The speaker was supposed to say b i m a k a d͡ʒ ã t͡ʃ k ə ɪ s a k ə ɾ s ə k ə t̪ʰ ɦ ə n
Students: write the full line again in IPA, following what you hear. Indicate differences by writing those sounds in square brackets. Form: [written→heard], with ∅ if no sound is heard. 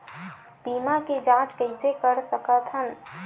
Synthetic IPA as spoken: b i m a k [a→e] d͡ʒ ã t͡ʃ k ə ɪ s [a→e] k ə ɾ s ə k ə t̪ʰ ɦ ə n